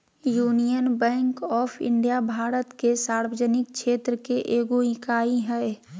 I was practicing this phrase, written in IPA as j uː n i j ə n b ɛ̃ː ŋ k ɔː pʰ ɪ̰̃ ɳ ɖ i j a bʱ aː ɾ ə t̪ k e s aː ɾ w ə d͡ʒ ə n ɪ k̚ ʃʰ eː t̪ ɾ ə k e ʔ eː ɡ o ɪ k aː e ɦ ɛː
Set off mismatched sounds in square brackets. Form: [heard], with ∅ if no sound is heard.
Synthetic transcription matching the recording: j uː n i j ə n b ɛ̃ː ŋ k ɔː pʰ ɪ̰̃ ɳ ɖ i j a bʱ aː ɾ ə t̪ k e s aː ɾ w ə d͡ʒ ə n ɪ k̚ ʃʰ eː t̪ ɾ ə k e ʔ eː ɡ o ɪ k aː [i] ɦ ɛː